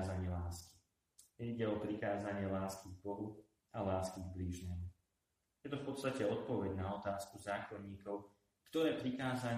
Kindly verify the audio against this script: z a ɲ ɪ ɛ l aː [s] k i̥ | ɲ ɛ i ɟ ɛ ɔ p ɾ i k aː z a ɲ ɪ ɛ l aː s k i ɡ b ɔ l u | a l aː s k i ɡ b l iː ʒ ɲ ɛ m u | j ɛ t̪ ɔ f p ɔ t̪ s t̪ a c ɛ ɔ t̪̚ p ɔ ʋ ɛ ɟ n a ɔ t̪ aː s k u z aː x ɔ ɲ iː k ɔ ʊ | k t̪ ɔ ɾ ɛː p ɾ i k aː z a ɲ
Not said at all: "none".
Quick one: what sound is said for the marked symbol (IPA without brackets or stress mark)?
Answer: s